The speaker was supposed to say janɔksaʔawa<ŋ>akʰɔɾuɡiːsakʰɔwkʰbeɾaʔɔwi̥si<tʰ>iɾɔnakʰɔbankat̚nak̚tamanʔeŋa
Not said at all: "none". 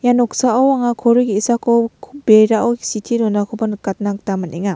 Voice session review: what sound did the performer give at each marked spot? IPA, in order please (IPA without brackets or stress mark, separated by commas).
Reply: ŋ, tʰ